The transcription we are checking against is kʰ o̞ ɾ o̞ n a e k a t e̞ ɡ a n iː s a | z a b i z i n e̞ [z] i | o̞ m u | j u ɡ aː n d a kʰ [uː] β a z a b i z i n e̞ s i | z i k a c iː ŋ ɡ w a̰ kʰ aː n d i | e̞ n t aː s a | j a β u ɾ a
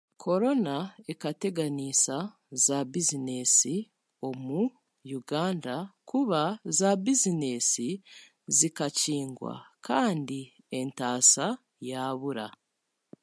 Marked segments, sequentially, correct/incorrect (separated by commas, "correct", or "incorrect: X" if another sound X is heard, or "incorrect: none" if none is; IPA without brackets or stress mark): incorrect: s, incorrect: u